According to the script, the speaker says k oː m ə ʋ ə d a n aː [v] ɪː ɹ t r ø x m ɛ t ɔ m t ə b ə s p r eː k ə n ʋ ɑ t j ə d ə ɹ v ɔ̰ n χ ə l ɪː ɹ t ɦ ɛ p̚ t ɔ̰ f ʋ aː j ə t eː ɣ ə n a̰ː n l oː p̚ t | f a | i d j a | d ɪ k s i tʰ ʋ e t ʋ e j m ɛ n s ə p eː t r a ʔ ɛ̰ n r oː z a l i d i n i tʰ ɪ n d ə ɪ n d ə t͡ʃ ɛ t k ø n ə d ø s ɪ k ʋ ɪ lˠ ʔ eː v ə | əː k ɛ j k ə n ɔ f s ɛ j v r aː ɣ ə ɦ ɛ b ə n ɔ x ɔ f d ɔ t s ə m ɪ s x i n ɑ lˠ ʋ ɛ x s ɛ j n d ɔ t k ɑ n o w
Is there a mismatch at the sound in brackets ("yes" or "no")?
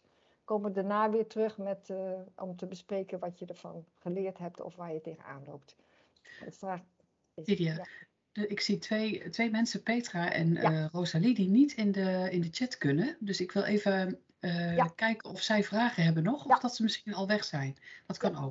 yes